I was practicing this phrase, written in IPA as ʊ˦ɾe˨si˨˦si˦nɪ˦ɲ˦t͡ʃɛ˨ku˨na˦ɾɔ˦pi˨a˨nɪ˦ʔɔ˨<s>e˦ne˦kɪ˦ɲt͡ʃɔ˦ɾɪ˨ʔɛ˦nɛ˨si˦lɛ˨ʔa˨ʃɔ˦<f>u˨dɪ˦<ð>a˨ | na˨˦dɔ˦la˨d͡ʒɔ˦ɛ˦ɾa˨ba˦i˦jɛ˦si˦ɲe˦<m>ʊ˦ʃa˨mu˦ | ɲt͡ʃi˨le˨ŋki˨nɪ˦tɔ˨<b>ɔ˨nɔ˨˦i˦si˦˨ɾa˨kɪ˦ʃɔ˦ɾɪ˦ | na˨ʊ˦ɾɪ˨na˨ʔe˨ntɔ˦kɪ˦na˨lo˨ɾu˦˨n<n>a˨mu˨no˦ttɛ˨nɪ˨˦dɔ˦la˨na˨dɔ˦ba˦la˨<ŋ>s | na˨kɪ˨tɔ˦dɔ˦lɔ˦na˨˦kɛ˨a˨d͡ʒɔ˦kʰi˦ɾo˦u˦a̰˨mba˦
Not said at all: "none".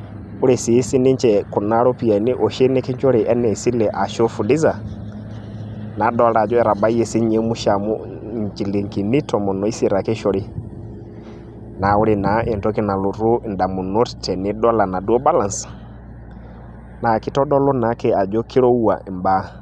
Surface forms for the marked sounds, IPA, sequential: ʃ, f, z, m, m, d, n

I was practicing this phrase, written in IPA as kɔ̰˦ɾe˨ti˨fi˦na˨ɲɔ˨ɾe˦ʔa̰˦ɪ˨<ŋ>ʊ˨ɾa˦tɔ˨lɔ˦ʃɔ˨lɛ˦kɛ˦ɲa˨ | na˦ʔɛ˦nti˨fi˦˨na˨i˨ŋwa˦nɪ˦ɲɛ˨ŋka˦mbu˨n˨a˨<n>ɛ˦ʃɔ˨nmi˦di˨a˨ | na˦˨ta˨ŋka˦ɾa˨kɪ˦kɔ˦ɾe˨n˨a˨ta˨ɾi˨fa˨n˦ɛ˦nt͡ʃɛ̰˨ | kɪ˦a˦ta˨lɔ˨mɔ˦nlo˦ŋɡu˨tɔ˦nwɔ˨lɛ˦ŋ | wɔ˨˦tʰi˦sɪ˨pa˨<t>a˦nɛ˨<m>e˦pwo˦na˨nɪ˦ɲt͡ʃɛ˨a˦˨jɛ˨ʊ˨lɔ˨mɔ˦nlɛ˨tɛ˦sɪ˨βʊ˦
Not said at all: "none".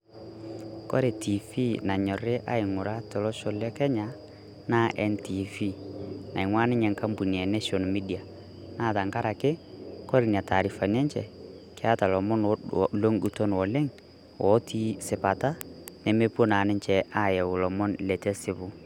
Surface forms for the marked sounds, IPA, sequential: ŋ, n, t, m

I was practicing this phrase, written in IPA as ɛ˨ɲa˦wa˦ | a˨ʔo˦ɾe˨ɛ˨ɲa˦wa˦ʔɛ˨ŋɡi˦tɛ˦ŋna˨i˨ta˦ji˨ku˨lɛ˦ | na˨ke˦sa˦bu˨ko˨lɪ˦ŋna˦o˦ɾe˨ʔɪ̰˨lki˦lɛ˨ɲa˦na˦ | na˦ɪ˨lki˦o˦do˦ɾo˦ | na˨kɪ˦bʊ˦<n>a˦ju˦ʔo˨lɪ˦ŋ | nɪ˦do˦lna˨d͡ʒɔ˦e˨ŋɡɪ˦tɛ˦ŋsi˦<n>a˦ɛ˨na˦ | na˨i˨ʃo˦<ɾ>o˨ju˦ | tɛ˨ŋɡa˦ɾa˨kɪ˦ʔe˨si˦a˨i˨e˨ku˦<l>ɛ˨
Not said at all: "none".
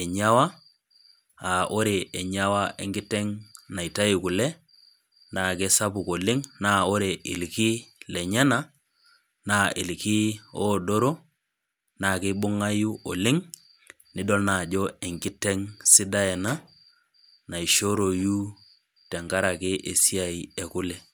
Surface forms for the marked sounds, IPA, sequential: ŋ, d, ɾ, l

